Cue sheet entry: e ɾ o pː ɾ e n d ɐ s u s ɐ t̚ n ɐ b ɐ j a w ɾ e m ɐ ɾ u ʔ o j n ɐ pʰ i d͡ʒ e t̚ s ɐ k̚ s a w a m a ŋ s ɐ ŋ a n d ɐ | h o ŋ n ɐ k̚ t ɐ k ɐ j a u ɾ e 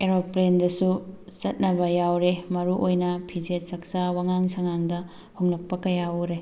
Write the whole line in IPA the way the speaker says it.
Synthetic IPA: e ɾ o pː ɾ e n d ɐ s u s ɐ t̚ n ɐ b ɐ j a w ɾ e m ɐ ɾ u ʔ o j n ɐ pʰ i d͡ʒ e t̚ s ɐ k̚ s a w a ŋ a ŋ s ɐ ŋ a ŋ d ɐ | h o ŋ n ɐ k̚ p ɐ k ɐ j a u ɾ e